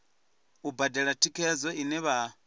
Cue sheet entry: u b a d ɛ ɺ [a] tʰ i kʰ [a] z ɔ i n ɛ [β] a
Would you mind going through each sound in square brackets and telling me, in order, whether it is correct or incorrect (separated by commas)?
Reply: correct, incorrect, correct